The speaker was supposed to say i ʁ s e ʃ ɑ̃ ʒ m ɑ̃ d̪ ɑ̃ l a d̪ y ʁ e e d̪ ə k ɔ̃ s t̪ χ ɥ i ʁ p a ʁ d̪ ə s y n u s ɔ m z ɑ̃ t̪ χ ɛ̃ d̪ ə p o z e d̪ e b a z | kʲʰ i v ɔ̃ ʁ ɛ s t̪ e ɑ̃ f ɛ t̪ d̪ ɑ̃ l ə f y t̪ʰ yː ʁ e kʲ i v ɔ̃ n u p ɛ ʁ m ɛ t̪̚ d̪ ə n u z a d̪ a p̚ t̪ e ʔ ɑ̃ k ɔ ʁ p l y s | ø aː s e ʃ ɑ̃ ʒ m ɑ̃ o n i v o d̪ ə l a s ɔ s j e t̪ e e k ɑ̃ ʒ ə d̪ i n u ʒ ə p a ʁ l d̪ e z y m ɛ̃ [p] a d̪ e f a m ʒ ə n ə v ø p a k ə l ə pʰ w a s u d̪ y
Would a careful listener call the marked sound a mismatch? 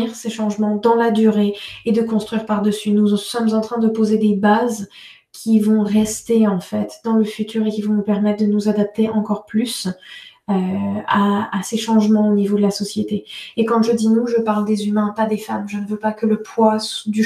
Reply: no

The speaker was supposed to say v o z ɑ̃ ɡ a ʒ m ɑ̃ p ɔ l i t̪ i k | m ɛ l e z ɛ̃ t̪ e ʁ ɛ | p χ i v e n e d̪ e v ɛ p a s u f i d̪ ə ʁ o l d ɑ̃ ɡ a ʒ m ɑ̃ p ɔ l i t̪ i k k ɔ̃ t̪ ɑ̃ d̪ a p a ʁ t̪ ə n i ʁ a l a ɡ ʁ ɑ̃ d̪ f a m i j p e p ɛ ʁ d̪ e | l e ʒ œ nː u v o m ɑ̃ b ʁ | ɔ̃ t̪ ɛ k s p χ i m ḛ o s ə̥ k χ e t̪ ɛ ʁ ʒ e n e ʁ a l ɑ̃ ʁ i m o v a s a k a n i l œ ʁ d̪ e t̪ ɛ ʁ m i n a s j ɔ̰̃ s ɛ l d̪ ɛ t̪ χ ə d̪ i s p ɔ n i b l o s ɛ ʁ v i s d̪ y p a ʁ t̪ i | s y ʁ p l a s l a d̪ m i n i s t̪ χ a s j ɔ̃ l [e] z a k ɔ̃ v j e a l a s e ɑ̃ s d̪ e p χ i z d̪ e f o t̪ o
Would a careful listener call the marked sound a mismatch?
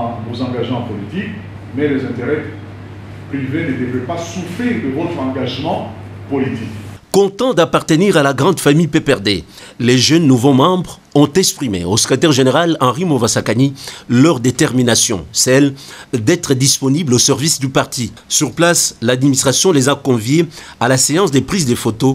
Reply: no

